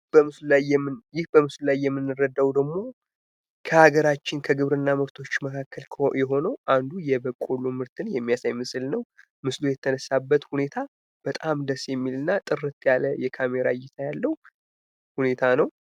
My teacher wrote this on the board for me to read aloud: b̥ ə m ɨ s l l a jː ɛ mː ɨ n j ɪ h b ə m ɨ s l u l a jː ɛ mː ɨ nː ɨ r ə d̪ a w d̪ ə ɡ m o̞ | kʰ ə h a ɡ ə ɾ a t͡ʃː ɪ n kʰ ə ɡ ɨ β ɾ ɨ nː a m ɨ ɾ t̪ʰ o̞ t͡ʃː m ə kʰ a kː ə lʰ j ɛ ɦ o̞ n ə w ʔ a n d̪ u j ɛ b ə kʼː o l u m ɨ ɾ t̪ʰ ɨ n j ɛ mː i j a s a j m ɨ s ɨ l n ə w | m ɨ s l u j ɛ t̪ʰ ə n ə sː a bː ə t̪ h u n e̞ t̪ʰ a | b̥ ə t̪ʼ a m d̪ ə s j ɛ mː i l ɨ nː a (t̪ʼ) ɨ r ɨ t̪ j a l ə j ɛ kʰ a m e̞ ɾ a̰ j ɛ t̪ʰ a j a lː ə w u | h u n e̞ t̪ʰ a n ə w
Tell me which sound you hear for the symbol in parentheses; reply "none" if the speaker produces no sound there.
t̪ʼ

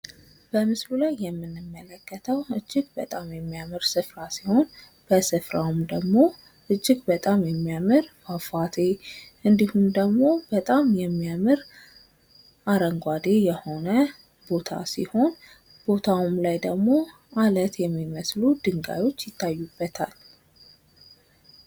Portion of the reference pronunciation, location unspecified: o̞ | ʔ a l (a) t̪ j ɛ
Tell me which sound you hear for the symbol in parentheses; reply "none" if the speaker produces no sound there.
ə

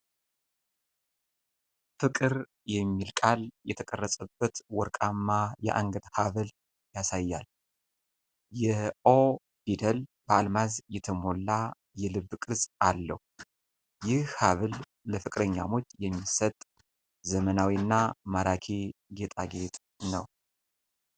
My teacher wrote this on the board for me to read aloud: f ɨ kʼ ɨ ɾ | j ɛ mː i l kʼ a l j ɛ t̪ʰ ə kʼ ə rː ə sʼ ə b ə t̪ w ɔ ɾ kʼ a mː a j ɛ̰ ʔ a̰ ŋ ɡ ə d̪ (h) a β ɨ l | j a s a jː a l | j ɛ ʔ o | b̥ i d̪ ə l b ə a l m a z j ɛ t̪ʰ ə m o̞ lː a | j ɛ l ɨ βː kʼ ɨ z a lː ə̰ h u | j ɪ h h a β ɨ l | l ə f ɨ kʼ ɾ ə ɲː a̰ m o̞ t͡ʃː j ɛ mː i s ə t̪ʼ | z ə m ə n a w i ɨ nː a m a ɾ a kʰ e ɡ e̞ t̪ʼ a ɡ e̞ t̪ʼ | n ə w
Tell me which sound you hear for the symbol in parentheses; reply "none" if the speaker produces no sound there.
h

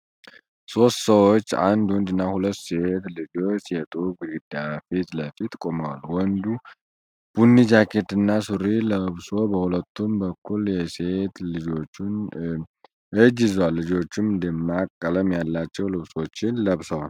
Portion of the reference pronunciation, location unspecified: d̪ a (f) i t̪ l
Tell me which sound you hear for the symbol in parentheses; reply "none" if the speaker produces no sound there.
f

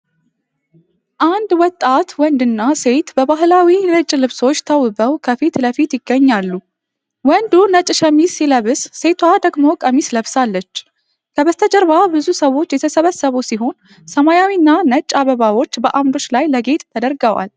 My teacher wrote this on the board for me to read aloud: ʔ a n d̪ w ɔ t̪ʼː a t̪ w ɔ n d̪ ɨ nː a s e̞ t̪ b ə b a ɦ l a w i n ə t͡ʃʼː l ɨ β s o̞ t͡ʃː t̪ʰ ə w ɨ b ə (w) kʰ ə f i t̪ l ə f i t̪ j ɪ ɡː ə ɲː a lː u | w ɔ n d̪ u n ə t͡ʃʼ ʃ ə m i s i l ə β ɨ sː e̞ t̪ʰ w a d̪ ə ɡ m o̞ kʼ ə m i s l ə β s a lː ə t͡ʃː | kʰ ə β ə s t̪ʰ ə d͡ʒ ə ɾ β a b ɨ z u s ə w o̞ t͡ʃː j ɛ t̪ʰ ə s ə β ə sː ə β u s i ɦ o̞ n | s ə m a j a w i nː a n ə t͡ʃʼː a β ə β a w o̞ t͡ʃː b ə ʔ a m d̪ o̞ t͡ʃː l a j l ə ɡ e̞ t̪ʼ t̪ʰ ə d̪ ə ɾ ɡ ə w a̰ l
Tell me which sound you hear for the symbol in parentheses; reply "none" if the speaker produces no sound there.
w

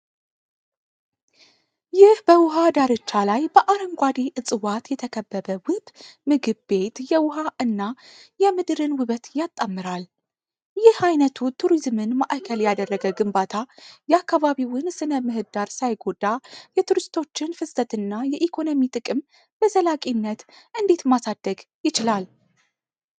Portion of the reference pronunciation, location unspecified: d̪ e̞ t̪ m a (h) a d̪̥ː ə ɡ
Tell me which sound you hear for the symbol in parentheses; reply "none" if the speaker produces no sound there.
s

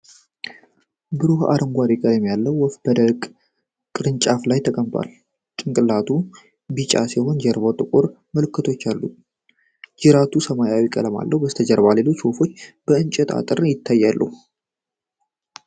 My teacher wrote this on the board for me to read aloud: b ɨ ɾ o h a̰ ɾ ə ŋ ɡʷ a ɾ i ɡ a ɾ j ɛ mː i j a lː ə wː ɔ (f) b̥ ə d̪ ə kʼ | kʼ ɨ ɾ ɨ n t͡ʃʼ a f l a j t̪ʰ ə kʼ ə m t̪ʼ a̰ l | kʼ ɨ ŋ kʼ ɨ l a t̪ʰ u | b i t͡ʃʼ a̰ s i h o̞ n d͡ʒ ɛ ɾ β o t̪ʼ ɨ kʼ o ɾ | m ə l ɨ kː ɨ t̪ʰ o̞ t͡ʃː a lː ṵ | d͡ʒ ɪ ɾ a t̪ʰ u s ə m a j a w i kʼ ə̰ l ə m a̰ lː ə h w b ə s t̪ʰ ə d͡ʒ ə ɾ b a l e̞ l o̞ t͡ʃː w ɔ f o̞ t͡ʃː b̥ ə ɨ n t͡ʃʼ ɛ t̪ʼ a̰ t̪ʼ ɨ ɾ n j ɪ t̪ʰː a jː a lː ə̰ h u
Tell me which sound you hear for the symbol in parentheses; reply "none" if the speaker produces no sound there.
f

